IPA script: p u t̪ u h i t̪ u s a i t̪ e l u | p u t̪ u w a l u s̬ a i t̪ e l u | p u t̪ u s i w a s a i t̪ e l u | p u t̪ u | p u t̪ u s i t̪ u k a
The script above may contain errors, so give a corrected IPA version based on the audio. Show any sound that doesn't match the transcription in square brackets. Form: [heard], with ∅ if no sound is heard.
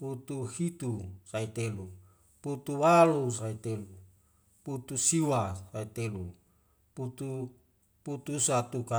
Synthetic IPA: p u t̪ u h i t̪ u s a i t̪ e l u | p u t̪ u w a l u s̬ a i t̪ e l u | p u t̪ u s i w a s a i t̪ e l u | p u t̪ u | p u t̪ u s [a] t̪ u k a